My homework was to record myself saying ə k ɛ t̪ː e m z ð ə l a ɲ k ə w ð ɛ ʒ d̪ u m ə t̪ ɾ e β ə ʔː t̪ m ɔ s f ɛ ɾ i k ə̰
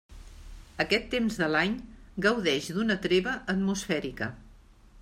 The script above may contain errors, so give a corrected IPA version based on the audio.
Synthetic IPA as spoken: ə k ɛ t̪ː e m z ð ə l a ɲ ɡ ə w ð ɛ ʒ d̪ u n ə t̪ ɾ e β ə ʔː t̪ m u s f ɛ ɾ i k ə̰